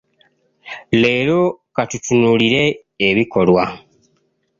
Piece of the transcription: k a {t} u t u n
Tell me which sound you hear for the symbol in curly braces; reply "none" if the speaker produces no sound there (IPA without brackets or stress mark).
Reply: t